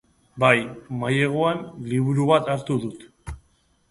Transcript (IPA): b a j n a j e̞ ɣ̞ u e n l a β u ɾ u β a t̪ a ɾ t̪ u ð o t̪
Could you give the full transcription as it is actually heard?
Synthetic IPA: b a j m a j e̞ ɣ̞ o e n l i β u ɾ u β a t̪ a ɾ t̪ u ð u t̪

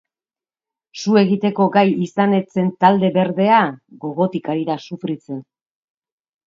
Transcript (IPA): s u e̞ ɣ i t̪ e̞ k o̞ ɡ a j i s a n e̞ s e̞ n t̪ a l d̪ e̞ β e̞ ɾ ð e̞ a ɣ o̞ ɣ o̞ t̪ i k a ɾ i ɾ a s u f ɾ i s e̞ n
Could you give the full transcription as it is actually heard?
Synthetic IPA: s u e̞ ɣ i t̪ e̞ k o̞ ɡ a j i s a n e̞ t͡s e̞ n t̪ a l d̪ e̞ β e̞ ɾ ð e̞ a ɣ o̞ ɣ o̞ t̪ i k a ɾ i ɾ a s u f ɾ i t͡s e̞ n

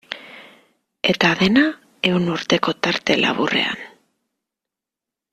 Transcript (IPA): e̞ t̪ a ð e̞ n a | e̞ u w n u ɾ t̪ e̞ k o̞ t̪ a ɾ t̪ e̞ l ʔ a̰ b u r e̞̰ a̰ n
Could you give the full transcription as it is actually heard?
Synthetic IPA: e̞ t̪ a ð e̞ n a | e̞ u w n u ɾ t̪ e̞ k o̞ t̪ a ɾ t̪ e̞ l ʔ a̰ β u r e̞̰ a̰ n

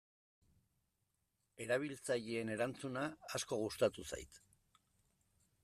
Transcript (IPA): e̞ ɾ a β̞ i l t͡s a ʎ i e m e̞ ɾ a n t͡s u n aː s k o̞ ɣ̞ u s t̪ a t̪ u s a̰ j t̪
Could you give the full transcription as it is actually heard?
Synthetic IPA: e̞ ɾ a β̞ i l t͡s a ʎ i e n e̞ ɾ a n t͡s u n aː s k o̞ ɣ̞ u s t̪ a t̪ u s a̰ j t̪

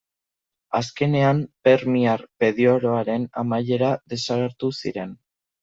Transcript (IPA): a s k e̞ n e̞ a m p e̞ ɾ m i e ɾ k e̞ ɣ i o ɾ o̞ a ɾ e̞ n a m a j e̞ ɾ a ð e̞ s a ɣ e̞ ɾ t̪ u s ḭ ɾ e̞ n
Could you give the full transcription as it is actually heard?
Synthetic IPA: a s k e̞ n e̞ a m p e̞ ɾ m i a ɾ p e̞ ð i o ɾ o̞ a ɾ e̞ n a m a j e̞ ɾ a ð e̞ s a ɣ e̞ ɾ t̪ u s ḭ ɾ e̞ n

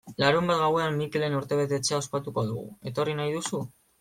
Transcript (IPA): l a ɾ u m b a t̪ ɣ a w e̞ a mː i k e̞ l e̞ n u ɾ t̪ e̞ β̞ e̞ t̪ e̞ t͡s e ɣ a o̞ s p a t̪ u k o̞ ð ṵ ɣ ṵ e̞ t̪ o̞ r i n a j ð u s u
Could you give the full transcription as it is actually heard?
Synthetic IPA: l a ɾ u m b a t̪ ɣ a w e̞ a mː i k e̞ l e̞ n u ɾ t̪ e̞ β̞ e̞ t̪ e̞ t͡s e a o̞ s p a t̪ u k o̞ ð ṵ ɣ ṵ e̞ t̪ o̞ r i n a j ð u s u

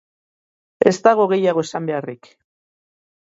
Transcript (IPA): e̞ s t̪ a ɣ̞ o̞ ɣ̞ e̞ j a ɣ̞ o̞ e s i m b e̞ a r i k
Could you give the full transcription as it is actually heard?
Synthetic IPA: e̞ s t̪ a ɣ̞ o̞ ɣ̞ e̞ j a ɣ̞ o̞ e s a m b e̞ a r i k

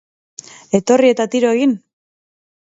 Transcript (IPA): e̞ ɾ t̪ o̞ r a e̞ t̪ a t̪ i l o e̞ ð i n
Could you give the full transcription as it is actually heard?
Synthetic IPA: e̞ t̪ o̞ r i e̞ t̪ a t̪ i ɾ o e̞ ɣ i n

